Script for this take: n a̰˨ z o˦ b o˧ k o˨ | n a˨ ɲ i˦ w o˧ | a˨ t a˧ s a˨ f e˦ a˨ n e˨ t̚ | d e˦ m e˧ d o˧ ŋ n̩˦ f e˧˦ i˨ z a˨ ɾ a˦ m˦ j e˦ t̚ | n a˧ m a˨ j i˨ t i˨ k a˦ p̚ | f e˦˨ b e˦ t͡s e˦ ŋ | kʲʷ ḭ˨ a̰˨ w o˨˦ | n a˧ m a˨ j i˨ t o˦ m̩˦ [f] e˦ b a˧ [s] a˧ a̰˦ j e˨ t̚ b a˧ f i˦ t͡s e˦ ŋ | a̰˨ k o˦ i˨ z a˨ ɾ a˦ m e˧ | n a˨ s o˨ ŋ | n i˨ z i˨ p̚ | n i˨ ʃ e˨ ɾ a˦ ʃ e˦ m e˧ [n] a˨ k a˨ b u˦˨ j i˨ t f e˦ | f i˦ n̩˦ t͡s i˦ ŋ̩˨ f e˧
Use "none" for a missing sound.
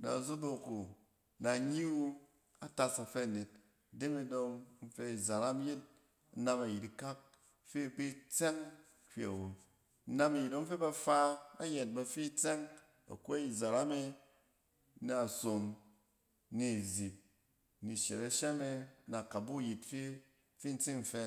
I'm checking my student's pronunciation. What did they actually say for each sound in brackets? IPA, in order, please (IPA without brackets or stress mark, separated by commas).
f, f, n